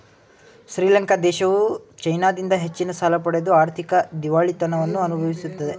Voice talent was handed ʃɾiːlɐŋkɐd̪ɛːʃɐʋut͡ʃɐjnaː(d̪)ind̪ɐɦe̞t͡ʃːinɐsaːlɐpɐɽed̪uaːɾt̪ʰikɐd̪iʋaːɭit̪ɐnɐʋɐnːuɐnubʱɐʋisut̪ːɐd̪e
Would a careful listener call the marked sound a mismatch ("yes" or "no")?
no